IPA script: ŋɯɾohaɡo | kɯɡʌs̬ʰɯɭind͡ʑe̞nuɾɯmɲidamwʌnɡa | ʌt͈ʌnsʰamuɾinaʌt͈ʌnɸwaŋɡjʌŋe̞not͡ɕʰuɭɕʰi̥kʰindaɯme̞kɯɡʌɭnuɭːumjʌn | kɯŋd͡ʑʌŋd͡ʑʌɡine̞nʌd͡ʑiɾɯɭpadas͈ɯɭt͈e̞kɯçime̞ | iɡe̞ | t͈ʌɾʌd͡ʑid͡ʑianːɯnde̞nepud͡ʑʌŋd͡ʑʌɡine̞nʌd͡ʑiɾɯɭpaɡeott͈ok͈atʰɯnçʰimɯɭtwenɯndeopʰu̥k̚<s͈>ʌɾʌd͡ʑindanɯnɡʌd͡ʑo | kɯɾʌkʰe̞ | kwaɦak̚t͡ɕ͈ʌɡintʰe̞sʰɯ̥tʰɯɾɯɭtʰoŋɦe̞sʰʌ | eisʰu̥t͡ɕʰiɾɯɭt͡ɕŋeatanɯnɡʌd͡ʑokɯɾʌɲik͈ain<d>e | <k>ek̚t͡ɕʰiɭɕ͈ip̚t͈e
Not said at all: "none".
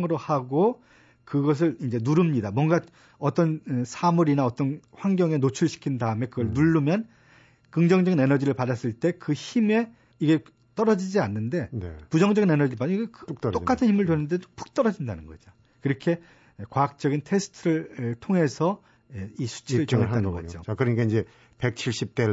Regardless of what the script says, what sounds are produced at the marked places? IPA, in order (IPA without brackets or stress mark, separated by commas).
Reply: t͈, d͡ʑ, p